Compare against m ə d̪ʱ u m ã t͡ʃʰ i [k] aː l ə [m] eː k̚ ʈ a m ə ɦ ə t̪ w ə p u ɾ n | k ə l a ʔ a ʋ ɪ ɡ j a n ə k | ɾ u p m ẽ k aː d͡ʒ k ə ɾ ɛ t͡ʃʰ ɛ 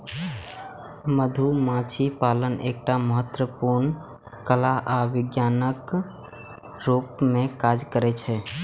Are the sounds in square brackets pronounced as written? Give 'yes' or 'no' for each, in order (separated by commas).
no, no